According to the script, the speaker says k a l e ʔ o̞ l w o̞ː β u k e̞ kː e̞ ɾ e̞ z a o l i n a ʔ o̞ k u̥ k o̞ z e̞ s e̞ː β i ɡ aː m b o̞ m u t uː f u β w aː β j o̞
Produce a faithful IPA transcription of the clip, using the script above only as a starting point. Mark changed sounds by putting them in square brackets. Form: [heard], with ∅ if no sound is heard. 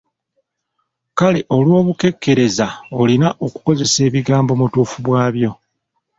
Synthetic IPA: k a l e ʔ o̞ l w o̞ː β u k e̞ kː e̞ ɾ e̞ z a o l i n a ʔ o̞ k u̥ k o̞ z e̞ s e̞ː β i ɡ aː m b o̞ m u t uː f u β w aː β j o̞